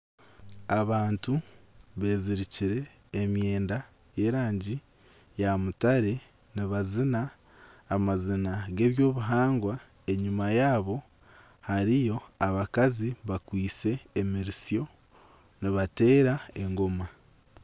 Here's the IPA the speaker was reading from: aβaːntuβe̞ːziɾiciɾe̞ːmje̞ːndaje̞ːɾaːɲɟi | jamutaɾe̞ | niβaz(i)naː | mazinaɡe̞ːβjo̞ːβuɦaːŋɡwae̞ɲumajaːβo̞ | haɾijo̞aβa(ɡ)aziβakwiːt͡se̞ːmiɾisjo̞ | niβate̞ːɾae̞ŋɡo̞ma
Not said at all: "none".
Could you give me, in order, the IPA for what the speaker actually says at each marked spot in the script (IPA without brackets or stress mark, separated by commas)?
i, k